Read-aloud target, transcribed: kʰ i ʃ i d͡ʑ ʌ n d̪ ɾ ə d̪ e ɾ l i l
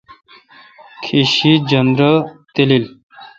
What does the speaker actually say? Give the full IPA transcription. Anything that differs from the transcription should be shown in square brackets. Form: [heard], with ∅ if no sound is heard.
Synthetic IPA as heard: kʰ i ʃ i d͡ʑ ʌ n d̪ ɾ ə [t̪] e [∅] l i l